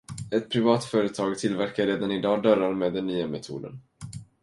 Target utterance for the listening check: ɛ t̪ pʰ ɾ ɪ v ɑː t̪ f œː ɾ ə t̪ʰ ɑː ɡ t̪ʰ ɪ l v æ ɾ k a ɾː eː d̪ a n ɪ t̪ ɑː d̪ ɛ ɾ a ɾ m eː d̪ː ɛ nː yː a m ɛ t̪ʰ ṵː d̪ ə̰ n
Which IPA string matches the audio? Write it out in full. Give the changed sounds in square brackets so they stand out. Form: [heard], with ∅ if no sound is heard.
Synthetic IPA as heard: ɛ t̪ pʰ ɾ ɪ v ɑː t̪ f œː ɾ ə t̪ʰ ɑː ɡ t̪ʰ ɪ l v æ ɾ k a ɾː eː d̪ a n ɪ [d̪] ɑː d̪ [œ] ɾ a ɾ m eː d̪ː ɛ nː yː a m ɛ t̪ʰ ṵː d̪ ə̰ n